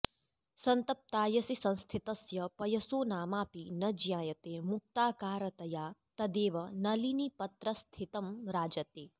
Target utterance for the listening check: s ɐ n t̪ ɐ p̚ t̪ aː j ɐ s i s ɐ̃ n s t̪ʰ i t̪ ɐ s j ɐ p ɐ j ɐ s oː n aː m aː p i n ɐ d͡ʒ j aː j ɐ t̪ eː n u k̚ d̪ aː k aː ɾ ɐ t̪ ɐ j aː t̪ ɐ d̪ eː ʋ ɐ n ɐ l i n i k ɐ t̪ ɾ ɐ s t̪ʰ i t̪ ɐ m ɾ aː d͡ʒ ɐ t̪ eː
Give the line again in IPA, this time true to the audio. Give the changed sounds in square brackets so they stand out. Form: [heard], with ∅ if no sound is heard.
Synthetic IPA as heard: s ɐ n t̪ ɐ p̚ t̪ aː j ɐ s i s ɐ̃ n s t̪ʰ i t̪ ɐ s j ɐ p ɐ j ɐ s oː n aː m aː p i n ɐ d͡ʒ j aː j ɐ t̪ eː [m] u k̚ [t̪] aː k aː ɾ ɐ t̪ ɐ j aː t̪ ɐ d̪ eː ʋ ɐ n ɐ l i n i [p] ɐ t̪ ɾ ɐ s t̪ʰ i t̪ ɐ m ɾ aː d͡ʒ ɐ t̪ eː